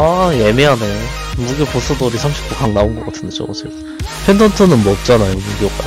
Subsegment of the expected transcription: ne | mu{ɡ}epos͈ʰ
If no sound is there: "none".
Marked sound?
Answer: ɡ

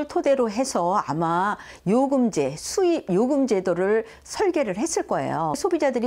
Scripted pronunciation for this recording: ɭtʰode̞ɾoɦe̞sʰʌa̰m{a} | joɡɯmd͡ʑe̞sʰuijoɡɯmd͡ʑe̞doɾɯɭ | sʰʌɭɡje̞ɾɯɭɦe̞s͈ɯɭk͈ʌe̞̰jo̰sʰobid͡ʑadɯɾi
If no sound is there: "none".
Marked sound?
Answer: a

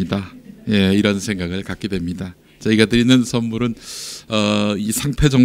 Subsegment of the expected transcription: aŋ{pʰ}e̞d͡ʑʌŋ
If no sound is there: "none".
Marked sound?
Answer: pʰ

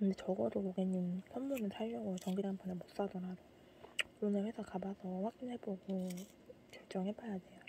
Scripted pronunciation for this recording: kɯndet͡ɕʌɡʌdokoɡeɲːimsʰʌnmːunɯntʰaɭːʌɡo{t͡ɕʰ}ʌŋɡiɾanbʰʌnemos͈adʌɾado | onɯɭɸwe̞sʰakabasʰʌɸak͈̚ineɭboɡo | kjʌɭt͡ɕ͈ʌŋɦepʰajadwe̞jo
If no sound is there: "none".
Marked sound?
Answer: t͡ɕ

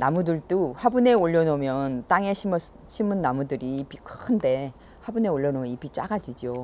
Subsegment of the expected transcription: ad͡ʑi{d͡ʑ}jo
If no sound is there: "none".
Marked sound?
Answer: d͡ʑ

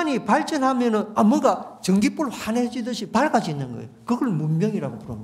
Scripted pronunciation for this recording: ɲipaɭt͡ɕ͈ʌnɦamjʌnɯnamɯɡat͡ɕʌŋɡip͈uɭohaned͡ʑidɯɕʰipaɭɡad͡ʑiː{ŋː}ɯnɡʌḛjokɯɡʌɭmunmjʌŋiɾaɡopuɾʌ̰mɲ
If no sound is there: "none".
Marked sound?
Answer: nː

